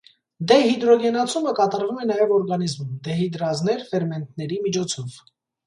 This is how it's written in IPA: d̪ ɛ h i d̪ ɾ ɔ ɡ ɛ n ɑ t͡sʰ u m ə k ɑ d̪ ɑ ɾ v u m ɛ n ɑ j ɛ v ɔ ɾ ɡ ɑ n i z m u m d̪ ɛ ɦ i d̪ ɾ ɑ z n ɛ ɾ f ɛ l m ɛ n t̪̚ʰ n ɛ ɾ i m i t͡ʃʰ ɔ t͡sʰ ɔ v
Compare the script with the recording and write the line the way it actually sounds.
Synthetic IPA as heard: d̪ ɛ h i d̪ ɾ ɔ ɡ ɛ n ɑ t͡sʰ u m ə k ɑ t̪ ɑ ɾ v u m ɛ n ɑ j ɛ v ɔ ɾ ɡ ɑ n i z m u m d̪ ɛ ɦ i d̪ ɾ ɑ z n ɛ ɾ f ɛ ɾ m ɛ n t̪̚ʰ n ɛ ɾ i m i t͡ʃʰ ɔ t͡sʰ ɔ v

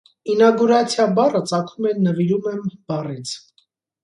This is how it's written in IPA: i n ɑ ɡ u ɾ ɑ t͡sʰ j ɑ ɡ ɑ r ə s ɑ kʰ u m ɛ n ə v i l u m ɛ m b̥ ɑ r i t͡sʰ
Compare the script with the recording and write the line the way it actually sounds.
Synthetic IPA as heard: i n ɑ ɡ u ɾ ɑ t͡sʰ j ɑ b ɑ r ə t͡s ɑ kʰ u m ɛ n ə v i ɾ u m ɛ m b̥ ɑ r i t͡sʰ

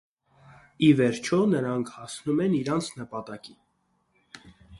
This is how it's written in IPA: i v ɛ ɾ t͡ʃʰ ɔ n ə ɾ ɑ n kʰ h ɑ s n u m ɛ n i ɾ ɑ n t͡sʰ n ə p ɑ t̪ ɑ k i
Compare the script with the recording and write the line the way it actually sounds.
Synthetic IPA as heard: i v ɛ ɾ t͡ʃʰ ɔ n ə ɾ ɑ ŋ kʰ h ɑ s n u m ɛ n i ɾ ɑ n t͡sʰ n ə p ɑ t̪ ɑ k i

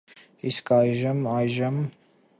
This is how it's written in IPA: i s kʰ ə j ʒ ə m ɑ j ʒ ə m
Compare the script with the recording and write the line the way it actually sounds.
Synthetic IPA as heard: i s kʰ ɑ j ʒ ə m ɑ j ʒ ə m

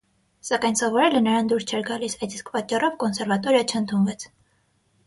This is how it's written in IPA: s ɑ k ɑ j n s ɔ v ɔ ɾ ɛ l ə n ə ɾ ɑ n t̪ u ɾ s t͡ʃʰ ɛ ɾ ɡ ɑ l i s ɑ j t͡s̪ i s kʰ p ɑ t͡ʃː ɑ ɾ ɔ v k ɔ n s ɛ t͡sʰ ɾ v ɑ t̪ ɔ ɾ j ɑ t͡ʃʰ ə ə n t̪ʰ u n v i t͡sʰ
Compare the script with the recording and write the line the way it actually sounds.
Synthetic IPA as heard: s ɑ k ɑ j n s ɔ v ɔ ɾ ɛ l ə n ə ɾ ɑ n d̪ u ɾ s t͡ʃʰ ɛ ɾ ɡ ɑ l i s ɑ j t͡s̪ i s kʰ p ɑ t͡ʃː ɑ r ɔ v k ɔ n s ɛ ɾ v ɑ t̪ ɔ ɾ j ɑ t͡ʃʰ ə ə n t̪ʰ u n v ɛ t͡sʰ

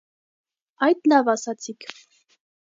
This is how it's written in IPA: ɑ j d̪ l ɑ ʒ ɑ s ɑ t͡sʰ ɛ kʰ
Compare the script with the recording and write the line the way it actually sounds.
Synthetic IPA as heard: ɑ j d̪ l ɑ v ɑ s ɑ t͡sʰ i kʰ

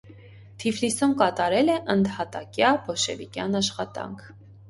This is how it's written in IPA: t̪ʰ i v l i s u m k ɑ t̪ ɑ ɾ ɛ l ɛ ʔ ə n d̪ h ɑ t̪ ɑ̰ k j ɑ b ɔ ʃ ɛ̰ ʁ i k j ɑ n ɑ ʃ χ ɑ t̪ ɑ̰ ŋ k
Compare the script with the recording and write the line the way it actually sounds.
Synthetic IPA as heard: t̪ʰ i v l i s u m k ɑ t̪ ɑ ɾ ɛ l ɛ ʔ ə n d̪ h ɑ t̪ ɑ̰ k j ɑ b ɔ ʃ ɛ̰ v i k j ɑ n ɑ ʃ χ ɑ t̪ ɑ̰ ŋ kʰ

